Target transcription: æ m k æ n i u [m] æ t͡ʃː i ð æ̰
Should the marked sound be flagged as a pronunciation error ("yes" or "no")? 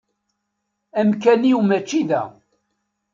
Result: no